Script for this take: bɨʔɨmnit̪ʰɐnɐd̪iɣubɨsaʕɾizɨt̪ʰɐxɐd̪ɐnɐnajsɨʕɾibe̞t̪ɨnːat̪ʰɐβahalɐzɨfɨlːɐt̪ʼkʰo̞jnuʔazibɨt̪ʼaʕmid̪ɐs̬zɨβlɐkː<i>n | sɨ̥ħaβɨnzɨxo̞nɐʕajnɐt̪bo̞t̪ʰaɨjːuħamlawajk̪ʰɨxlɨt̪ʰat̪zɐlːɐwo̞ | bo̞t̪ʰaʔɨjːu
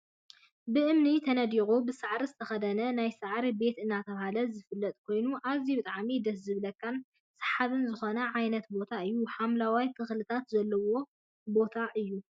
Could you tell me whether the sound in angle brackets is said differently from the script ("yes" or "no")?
yes